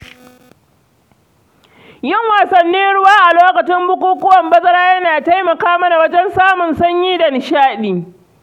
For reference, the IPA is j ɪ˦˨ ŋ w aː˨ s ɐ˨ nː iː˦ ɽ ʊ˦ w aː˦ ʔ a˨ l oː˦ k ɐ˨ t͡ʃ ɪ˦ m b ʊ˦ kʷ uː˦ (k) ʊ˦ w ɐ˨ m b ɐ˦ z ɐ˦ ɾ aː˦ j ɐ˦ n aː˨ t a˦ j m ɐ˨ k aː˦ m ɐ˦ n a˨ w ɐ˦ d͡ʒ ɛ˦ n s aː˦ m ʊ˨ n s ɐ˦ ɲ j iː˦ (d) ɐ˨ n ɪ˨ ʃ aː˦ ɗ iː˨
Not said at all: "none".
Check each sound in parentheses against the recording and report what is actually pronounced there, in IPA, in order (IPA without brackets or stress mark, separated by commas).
k, d